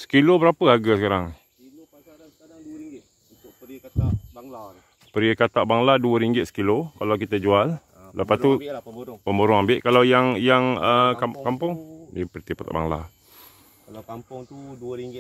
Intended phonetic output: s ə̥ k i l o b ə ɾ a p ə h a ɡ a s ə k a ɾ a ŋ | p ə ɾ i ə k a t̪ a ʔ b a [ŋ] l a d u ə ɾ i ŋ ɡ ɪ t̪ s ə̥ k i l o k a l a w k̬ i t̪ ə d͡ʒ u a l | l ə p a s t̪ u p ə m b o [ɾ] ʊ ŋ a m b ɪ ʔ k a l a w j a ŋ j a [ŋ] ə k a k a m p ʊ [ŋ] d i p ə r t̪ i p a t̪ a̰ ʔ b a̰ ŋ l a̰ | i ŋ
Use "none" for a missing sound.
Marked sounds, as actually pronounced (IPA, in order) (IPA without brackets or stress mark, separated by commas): ŋ, ɾ, ŋ, ŋ